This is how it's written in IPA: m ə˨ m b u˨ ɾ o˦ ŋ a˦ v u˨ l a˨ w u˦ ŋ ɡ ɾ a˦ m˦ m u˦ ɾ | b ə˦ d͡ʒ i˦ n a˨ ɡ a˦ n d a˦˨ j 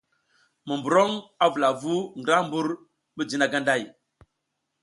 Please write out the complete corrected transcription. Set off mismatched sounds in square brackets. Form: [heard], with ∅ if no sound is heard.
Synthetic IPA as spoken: m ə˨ m b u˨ ɾ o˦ ŋ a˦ v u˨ l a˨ [v] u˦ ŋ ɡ ɾ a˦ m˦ [b] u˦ ɾ | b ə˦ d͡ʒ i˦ n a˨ ɡ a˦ n d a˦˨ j